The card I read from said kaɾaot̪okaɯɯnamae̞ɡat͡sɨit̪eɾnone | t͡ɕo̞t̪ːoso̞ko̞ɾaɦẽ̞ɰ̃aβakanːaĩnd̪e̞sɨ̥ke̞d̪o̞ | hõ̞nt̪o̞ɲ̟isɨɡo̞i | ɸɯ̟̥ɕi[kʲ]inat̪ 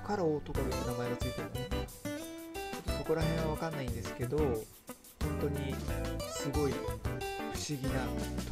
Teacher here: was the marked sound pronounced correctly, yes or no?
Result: no